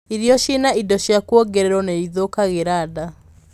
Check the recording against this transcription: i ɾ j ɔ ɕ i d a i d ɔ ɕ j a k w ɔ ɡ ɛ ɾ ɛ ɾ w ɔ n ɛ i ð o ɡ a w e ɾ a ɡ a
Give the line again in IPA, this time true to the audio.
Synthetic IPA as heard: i ɾ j ɔ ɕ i n a i d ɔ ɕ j a k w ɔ ɡ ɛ ɾ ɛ ɾ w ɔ n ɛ i ð o k a ɣ e ɾ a d a